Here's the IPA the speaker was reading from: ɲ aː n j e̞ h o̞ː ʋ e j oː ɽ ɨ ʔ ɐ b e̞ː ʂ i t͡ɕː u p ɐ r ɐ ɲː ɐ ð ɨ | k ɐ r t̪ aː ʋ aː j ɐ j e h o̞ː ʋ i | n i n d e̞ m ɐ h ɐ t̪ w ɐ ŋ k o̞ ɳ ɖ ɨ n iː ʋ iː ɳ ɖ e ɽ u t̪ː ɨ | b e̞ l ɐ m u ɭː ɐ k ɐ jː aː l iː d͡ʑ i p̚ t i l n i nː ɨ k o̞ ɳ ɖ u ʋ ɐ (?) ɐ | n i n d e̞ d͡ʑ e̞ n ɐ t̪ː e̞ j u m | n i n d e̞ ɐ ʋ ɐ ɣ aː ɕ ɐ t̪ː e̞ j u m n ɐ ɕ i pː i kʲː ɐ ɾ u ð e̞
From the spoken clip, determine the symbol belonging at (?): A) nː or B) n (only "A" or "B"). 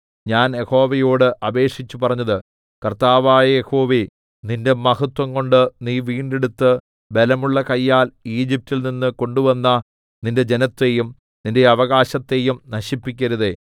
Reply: A